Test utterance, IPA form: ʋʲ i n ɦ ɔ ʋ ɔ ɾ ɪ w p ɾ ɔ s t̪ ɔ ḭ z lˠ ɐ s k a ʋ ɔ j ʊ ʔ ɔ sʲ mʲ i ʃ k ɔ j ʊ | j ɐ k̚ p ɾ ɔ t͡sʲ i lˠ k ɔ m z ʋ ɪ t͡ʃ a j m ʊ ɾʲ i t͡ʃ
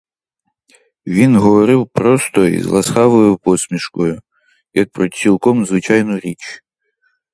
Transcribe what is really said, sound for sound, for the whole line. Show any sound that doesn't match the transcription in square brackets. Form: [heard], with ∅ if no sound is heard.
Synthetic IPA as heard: ʋʲ i n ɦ ɔ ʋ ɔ ɾ ɪ w p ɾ ɔ s t̪ ɔ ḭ z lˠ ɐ s [x] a ʋ ɔ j ʊ [p] ɔ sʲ mʲ i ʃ k ɔ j ʊ | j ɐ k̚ p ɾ ɔ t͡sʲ i lˠ k ɔ m z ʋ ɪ t͡ʃ a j [n] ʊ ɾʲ i t͡ʃ